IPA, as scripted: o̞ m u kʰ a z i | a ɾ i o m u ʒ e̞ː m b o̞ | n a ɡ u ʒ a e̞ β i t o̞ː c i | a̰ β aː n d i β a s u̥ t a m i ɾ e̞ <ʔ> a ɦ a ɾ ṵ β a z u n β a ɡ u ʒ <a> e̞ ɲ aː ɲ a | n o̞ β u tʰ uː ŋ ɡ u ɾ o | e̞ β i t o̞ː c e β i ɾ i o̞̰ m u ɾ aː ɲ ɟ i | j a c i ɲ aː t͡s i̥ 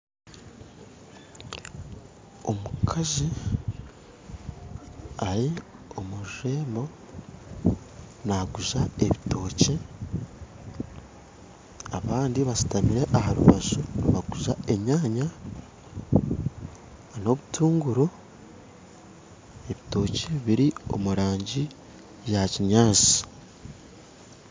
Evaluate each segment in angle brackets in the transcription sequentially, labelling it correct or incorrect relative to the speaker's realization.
correct, correct

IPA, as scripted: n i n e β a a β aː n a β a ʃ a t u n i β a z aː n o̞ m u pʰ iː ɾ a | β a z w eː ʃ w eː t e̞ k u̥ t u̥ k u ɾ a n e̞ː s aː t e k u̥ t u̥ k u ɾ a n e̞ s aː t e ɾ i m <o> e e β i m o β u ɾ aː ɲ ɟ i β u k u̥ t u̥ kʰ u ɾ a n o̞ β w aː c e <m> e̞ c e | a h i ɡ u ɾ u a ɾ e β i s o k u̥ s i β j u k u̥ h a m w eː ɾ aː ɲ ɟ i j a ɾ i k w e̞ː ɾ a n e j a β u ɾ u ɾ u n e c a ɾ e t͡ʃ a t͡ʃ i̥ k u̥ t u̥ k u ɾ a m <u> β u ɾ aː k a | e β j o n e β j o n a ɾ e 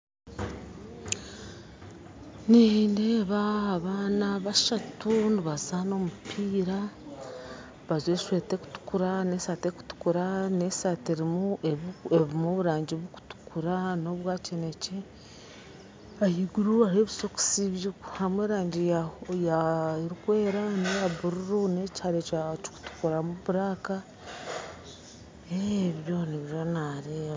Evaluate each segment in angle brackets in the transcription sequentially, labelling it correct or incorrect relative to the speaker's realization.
incorrect: u, incorrect: n, correct

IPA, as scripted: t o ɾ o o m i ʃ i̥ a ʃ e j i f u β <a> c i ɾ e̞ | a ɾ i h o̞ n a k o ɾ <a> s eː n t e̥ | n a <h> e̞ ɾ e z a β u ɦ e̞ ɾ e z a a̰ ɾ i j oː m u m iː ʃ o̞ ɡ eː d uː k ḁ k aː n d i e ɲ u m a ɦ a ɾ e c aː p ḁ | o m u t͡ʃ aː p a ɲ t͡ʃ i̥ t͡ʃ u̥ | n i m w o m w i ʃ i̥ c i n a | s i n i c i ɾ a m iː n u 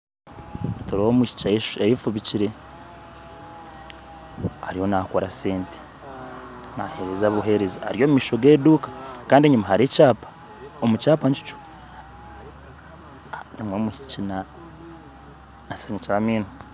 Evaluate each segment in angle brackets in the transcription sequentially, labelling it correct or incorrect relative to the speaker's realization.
incorrect: i, correct, correct

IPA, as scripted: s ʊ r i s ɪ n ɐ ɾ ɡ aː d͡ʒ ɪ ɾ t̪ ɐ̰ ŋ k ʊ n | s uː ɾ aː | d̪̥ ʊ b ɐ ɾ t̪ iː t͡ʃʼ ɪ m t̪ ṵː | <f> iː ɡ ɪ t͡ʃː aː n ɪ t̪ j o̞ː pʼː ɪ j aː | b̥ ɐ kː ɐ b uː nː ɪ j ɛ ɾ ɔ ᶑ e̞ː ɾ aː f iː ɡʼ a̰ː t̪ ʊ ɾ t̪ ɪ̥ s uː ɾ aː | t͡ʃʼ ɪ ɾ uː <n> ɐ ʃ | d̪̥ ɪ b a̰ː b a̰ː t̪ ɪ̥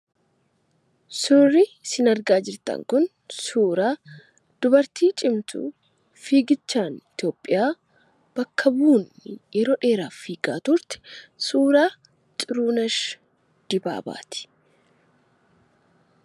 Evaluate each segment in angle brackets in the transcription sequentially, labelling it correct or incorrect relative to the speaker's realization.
correct, correct

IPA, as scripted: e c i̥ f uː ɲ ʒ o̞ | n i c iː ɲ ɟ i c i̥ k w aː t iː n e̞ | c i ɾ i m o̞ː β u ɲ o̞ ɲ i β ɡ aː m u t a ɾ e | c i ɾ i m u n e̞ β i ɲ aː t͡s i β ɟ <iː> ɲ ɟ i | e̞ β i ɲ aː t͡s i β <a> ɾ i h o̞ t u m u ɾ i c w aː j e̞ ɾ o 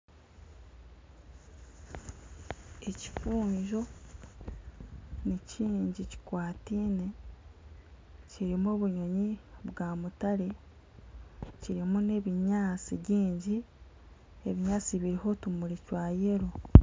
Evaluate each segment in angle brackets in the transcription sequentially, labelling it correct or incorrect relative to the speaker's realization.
correct, incorrect: i

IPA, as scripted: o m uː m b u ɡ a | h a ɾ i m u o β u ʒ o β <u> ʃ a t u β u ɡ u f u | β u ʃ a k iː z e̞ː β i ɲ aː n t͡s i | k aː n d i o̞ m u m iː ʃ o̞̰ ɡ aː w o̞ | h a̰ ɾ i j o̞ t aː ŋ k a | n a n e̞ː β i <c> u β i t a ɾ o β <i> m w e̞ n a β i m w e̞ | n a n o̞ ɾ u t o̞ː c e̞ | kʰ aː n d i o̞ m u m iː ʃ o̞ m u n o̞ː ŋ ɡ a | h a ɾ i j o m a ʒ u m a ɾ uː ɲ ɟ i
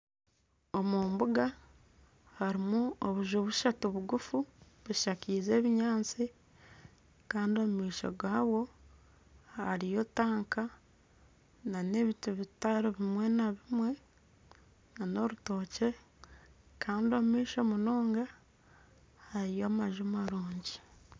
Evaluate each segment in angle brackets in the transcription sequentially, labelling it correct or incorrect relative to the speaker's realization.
correct, incorrect: t, correct

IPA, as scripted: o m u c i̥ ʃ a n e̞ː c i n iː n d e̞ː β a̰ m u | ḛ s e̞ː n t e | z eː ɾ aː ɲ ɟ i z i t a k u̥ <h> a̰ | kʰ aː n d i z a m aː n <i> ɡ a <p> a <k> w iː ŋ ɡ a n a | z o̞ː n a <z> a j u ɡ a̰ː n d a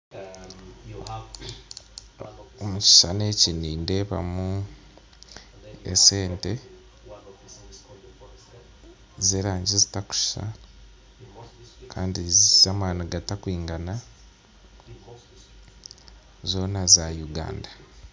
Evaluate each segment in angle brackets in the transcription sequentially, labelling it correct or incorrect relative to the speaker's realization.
incorrect: ʃ, incorrect: a, incorrect: t, correct, correct

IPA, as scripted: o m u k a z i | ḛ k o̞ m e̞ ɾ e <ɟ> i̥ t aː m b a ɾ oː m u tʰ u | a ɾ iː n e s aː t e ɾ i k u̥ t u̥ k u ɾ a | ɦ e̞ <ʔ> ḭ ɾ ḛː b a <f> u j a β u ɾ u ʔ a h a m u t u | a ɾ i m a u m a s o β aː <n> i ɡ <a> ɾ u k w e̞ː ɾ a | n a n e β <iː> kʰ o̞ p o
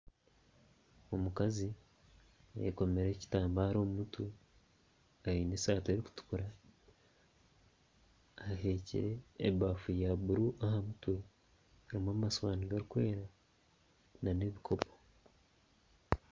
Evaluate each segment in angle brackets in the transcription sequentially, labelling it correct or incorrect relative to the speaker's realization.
incorrect: c, incorrect: c, correct, correct, correct, incorrect: i

